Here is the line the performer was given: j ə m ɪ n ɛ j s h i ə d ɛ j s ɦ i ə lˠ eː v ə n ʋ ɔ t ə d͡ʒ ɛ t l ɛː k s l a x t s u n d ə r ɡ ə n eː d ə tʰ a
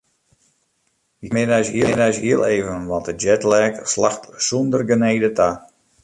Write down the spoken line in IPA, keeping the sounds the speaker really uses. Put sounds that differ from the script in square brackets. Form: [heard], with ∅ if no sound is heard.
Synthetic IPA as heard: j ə m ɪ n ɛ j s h i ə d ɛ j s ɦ i ə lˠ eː v ə n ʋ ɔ t ə d͡ʒ ɛ t l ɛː k s l a x t s u n d ə r ɡ ə n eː d ə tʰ a